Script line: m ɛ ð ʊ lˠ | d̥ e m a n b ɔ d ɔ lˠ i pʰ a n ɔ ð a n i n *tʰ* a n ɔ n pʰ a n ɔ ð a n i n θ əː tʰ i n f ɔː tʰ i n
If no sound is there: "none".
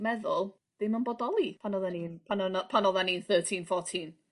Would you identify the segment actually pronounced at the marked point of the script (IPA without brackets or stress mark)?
pʰ